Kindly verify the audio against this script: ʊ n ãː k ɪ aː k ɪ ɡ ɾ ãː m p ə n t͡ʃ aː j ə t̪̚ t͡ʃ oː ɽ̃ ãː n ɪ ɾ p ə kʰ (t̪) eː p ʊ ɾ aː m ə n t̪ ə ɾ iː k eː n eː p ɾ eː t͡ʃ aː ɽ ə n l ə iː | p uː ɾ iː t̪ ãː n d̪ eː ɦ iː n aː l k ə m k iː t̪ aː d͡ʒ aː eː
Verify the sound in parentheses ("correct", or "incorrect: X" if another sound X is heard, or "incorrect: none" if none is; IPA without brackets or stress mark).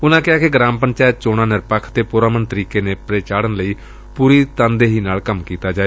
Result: correct